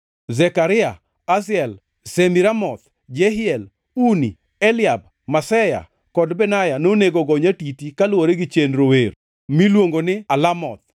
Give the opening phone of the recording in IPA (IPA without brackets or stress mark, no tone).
z